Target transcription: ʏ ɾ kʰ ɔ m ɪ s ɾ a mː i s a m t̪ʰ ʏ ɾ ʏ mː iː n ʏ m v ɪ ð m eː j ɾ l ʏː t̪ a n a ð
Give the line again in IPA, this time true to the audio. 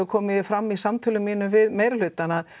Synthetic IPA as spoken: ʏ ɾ kʰ ɔː m ɪ f ɾ a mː i s a m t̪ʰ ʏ l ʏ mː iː n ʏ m v ɪ ð m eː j ɾ l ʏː t̪ a n a ð